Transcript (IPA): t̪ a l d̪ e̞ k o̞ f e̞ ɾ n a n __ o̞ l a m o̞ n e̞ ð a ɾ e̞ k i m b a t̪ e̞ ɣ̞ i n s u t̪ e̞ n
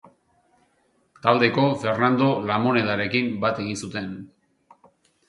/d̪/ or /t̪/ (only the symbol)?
d̪